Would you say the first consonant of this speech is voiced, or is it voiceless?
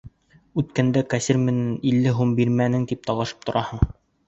voiceless